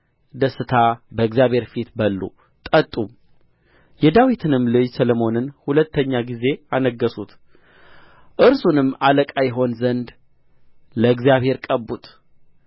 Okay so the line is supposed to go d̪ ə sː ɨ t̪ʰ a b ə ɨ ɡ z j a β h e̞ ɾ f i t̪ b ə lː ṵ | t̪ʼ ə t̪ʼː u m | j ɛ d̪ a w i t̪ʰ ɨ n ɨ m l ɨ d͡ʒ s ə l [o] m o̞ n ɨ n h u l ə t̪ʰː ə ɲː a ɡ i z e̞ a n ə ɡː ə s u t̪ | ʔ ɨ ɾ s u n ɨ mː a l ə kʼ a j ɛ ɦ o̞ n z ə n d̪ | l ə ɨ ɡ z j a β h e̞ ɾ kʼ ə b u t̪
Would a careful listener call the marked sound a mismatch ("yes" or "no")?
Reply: no